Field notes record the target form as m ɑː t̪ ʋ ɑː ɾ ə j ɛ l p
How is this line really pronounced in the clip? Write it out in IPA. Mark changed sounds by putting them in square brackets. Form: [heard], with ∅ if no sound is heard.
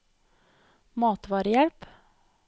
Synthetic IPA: m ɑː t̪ ʋ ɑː ɾ ə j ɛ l p